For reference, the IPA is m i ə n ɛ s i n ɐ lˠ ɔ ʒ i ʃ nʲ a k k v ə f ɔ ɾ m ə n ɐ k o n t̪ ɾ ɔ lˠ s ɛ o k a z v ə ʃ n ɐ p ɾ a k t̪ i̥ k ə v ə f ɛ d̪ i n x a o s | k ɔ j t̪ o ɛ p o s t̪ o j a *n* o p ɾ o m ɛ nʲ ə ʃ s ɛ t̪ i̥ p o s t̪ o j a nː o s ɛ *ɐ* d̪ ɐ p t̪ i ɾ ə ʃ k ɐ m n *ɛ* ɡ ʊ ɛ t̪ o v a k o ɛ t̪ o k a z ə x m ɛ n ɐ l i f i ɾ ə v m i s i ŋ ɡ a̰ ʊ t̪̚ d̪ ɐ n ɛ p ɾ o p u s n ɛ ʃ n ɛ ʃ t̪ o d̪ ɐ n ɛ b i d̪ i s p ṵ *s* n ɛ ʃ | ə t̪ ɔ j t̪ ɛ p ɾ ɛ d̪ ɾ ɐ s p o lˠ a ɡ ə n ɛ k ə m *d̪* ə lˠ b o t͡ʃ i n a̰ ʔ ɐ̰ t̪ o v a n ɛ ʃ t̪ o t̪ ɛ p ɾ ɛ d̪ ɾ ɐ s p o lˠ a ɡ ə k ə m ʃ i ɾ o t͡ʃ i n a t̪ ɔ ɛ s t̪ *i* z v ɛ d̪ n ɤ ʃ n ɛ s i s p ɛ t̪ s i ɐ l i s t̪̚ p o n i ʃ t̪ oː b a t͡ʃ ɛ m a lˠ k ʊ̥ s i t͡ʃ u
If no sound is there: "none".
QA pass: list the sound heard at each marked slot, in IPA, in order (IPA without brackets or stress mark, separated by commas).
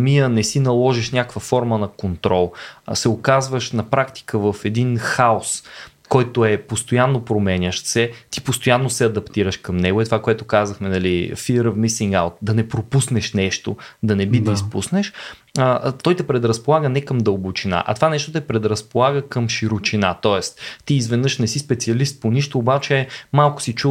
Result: nː, ɐ, ɛ, s, d̪, iː